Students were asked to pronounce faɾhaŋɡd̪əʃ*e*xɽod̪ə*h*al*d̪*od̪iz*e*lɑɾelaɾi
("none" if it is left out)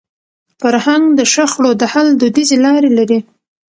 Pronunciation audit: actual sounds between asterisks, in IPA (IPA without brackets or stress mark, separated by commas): a, h, d̪, e